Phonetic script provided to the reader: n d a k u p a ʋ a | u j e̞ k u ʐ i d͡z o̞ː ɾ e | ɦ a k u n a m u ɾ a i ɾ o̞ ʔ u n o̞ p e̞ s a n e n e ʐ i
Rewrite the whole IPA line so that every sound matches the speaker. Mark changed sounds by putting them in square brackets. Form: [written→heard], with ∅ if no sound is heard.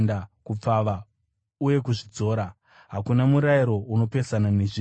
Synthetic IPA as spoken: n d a k u [p→p͡f] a ʋ a | u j e̞ k u ʐ i d͡z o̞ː ɾ [e→a] | ɦ a k u n a m u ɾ a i ɾ o̞ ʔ u n o̞ p e̞ s a n [e→a] n e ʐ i